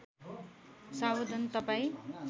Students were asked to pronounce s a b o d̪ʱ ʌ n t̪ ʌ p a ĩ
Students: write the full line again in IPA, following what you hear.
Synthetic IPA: s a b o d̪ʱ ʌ n t̪ ʌ p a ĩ